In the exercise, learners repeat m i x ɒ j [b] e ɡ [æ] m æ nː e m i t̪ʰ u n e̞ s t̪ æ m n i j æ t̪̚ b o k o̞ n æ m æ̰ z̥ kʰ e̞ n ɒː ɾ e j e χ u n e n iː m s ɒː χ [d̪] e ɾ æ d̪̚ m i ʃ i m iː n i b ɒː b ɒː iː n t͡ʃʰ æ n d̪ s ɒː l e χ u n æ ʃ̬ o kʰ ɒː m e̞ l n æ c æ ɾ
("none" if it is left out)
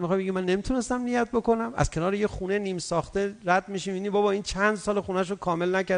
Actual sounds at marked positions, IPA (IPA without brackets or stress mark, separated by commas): b, i, t̪